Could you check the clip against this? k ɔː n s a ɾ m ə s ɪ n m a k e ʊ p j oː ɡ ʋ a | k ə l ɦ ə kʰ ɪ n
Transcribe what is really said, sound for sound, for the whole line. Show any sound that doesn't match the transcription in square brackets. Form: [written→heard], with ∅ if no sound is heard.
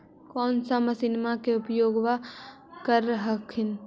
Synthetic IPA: k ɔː n s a [ɾ→∅] m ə s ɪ n m a k e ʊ p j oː ɡ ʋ a | k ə [l→ɾ] ɦ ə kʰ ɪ n